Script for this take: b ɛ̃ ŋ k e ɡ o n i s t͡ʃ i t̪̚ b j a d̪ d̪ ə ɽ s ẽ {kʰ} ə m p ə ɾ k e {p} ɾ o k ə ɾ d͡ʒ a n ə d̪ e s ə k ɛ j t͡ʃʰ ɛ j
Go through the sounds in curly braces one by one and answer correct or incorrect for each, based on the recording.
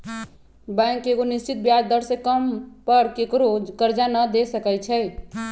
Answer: incorrect, incorrect

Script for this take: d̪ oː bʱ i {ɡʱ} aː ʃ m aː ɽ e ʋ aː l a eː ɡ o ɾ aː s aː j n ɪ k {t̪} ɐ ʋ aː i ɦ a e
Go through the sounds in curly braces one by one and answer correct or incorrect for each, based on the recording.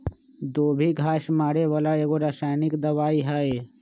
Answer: correct, incorrect

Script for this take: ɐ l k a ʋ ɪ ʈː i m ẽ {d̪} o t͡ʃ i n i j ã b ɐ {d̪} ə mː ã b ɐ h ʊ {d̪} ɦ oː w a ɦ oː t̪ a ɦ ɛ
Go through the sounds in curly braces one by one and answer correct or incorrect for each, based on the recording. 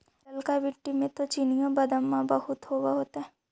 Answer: incorrect, correct, incorrect

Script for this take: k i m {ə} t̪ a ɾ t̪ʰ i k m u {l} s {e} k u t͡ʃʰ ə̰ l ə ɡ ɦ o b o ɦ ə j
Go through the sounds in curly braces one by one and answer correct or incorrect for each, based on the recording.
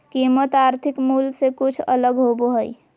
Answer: correct, correct, correct

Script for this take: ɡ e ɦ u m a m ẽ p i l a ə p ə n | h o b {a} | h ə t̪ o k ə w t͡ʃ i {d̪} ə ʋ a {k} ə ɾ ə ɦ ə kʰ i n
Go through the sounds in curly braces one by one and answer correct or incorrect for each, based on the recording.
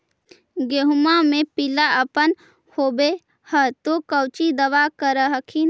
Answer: incorrect, correct, correct

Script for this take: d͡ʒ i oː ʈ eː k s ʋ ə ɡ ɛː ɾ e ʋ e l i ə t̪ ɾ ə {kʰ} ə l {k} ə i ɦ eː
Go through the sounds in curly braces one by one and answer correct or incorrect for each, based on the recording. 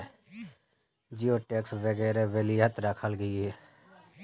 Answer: correct, incorrect

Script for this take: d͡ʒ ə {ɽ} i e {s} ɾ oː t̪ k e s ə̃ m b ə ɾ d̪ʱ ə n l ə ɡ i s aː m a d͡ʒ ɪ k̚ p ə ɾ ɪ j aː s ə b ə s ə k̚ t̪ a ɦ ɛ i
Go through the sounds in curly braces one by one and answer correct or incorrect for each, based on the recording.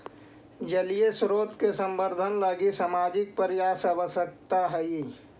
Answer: incorrect, correct

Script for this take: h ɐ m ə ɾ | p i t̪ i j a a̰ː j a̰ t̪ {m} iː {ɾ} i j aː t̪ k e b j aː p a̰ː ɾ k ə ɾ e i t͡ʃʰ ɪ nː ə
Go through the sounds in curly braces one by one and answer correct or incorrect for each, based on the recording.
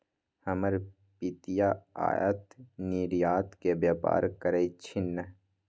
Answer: incorrect, correct

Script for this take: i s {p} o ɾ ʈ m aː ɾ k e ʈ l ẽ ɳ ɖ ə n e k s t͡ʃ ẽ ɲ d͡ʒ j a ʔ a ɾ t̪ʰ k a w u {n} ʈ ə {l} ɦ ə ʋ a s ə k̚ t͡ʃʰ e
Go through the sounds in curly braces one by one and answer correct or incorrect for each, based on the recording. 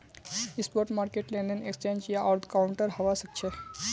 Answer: correct, incorrect, incorrect

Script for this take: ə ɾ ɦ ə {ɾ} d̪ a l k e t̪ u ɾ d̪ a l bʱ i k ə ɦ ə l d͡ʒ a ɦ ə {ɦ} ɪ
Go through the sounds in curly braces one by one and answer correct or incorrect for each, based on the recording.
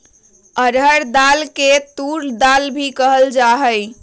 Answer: correct, incorrect

